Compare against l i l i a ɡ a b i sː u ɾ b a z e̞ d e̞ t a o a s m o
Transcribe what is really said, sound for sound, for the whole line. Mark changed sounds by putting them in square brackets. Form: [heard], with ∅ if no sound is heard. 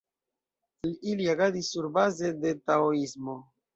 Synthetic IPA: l i l i a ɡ a [d] i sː u ɾ b a z e̞ d e̞ t a o [i] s m o